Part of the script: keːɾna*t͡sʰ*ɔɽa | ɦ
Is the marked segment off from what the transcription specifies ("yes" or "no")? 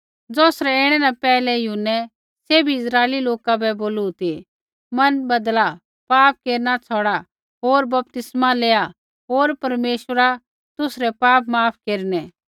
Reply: no